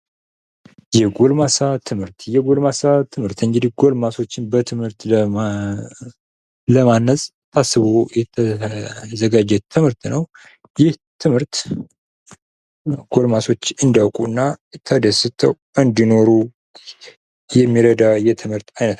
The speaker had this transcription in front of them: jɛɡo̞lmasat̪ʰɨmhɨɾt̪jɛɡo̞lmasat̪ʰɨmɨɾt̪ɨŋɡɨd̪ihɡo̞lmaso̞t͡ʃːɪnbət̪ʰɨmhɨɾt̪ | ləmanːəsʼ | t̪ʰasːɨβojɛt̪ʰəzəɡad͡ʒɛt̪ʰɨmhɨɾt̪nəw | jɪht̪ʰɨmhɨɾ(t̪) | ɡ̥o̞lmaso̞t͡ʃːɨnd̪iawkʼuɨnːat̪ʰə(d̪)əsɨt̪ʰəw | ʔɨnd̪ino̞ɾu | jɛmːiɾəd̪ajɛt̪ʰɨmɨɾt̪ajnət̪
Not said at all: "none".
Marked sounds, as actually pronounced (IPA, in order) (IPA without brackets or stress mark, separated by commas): t̪, d̪